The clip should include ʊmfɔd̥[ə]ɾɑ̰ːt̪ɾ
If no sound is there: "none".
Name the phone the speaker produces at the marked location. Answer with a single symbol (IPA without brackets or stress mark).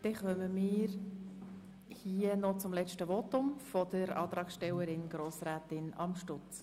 ə